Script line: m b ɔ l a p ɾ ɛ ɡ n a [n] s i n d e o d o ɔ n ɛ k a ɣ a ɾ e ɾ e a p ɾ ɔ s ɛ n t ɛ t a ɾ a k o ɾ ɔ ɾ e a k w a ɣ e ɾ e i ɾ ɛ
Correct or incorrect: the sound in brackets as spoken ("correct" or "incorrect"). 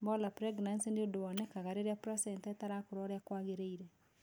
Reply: correct